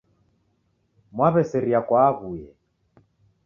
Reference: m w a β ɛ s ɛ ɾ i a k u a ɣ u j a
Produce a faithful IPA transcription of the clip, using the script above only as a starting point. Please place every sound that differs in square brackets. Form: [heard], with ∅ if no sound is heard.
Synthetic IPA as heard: m w a β ɛ s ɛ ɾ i a k [w] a ɣ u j [ɛ]